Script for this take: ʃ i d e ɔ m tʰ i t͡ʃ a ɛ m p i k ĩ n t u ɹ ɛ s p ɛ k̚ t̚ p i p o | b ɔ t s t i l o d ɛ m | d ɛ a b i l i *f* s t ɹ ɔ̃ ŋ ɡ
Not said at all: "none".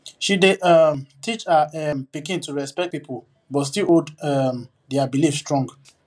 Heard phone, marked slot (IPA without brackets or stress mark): f